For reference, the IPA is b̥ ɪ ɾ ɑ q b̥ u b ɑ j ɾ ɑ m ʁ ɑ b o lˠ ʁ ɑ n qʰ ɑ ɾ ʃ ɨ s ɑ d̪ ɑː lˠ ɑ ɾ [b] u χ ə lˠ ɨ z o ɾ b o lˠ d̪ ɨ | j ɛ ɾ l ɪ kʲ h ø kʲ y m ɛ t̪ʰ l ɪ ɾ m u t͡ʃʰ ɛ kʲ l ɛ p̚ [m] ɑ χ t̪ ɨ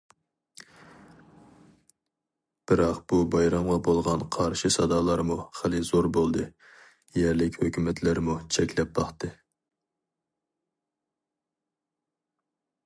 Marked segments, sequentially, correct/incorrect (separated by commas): incorrect, incorrect